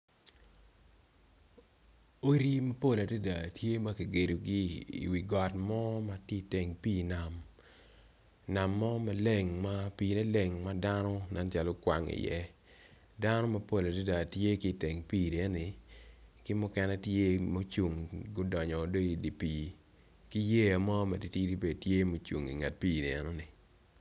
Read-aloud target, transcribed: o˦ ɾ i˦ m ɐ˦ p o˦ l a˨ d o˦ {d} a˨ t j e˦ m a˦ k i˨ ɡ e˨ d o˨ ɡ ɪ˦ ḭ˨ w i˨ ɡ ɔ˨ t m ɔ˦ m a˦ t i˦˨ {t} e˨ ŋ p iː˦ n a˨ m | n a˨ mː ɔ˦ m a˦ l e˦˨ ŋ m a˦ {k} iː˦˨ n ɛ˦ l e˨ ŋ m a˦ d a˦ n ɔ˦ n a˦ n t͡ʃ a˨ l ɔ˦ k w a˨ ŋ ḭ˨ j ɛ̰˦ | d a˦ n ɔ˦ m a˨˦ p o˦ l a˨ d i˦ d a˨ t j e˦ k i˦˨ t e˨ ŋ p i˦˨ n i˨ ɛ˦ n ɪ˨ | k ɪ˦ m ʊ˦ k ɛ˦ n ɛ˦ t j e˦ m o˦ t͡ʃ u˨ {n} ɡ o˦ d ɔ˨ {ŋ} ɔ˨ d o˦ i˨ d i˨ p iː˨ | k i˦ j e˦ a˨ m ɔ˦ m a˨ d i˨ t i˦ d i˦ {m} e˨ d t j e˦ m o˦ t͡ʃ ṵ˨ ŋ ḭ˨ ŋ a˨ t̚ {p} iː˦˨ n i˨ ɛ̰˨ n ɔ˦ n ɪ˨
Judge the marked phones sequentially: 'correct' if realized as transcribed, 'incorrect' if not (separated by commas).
correct, correct, incorrect, incorrect, incorrect, incorrect, correct